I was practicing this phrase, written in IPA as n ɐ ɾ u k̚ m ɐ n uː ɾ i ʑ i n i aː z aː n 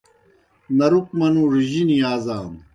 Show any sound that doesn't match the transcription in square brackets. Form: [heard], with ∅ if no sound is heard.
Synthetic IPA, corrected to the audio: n ɐ ɾ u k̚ m ɐ n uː ɾ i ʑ i n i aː z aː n